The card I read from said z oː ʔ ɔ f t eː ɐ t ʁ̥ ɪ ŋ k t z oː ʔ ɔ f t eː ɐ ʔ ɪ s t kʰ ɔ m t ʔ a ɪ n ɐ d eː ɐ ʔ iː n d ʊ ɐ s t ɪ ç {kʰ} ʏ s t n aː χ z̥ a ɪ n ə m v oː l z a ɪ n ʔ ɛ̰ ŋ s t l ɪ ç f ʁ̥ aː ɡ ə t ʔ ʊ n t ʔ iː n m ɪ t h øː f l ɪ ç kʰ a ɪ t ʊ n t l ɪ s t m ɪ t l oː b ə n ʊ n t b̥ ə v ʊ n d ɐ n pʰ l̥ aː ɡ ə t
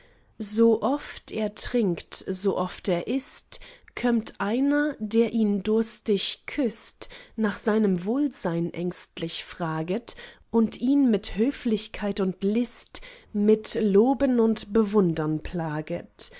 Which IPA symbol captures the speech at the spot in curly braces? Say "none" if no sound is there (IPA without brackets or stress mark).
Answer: kʰ